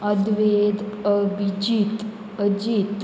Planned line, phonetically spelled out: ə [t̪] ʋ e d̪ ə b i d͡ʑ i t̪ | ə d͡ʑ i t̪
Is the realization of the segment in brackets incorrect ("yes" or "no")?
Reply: yes